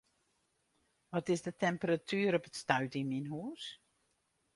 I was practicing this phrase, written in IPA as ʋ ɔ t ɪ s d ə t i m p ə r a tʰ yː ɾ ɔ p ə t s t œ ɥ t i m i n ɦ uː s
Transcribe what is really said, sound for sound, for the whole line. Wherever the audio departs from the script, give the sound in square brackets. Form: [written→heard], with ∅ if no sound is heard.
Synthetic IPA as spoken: ʋ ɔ t ɪ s d ə t [i→ɛ] m p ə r a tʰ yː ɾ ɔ p ə t s t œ ɥ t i m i n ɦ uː s